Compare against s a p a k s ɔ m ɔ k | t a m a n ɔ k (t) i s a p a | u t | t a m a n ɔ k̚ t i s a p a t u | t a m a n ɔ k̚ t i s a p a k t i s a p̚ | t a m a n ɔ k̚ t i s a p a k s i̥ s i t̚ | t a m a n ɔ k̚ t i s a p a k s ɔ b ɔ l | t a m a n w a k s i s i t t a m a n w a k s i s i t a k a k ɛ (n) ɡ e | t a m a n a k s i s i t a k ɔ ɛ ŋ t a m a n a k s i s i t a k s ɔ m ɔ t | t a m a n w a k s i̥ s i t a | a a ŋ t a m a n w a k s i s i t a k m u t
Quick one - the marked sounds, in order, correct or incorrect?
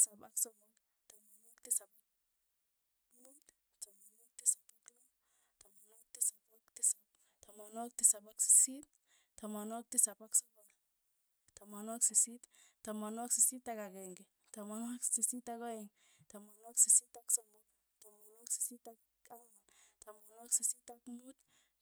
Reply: correct, incorrect: ŋ

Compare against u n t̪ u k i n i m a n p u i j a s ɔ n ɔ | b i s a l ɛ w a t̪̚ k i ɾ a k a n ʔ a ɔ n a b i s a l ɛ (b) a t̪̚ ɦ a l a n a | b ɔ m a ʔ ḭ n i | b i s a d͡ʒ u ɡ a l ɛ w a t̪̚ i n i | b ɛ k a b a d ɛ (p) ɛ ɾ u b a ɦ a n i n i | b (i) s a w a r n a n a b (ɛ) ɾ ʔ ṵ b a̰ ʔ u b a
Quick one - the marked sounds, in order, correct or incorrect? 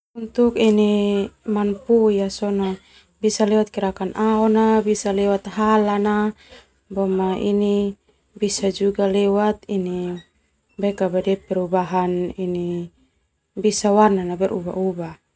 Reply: incorrect: w, correct, correct, correct

